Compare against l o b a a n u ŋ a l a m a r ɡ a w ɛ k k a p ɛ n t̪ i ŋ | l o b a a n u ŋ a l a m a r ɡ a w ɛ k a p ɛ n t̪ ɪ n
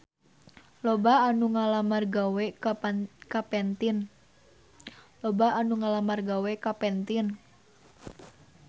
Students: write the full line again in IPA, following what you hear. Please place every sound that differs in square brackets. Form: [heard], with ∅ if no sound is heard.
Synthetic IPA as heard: l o b a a n u ŋ a l a m a r ɡ a w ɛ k k a p ɛ n t̪ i [n] | l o b a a n u ŋ a l a m a r ɡ a w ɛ k a p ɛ n t̪ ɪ n